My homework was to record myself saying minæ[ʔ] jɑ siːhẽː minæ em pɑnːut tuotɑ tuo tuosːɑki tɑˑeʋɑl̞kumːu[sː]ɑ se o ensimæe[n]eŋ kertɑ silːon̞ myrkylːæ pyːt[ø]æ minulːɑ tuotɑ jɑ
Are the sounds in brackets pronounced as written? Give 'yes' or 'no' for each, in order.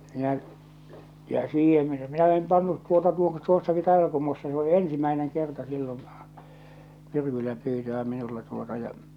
yes, yes, yes, yes

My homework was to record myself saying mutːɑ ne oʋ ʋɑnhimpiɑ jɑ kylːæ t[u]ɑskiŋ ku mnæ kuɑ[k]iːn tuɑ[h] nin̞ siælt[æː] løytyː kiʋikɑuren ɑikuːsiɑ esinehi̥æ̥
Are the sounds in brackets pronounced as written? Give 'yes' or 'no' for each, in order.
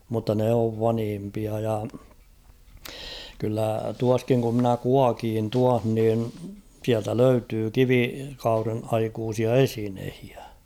yes, yes, yes, no

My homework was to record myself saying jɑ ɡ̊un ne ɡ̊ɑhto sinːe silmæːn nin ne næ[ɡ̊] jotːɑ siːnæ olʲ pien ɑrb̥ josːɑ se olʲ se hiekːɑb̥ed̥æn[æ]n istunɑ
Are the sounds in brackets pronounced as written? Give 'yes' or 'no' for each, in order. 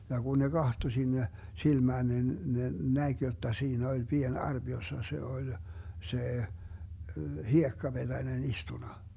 yes, no

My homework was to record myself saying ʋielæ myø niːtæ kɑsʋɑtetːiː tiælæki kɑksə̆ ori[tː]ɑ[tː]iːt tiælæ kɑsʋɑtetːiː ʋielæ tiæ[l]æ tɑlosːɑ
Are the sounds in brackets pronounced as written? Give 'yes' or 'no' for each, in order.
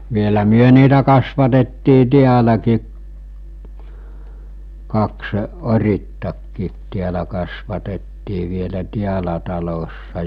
yes, no, yes

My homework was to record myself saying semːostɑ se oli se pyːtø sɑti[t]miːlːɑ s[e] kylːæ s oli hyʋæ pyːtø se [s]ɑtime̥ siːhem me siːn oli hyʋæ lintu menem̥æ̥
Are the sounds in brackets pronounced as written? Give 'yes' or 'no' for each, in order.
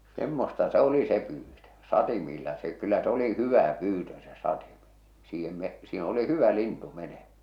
no, yes, yes

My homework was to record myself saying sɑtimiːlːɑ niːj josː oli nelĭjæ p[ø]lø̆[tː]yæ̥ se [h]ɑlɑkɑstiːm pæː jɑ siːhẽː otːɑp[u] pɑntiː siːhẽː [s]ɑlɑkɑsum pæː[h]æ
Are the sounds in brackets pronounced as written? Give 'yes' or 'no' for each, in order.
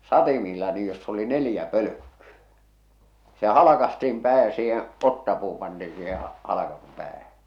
yes, no, yes, no, no, yes

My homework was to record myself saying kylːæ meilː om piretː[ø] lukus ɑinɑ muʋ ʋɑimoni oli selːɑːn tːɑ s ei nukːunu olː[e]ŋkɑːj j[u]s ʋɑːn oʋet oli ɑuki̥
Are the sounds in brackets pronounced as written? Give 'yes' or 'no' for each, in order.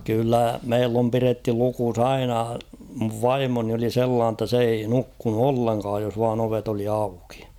no, yes, no

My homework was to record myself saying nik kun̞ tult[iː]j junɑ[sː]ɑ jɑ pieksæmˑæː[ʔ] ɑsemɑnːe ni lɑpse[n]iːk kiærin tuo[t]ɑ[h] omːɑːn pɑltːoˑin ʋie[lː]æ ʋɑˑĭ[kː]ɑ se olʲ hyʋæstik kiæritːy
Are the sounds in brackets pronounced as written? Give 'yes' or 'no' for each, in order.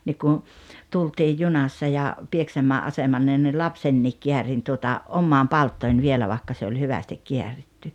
yes, yes, yes, no, yes, no, no, yes

